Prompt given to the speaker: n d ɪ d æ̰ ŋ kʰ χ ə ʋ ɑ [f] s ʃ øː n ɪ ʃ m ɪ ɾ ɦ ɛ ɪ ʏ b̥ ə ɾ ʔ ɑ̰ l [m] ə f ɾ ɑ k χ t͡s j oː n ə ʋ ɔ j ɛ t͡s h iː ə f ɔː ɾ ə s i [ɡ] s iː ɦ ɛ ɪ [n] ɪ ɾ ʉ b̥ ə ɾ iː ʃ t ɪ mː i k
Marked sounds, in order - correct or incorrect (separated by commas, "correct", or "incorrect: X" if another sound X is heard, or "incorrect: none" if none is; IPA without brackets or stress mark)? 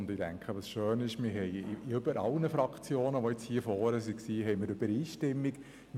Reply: incorrect: none, incorrect: n, incorrect: k, incorrect: m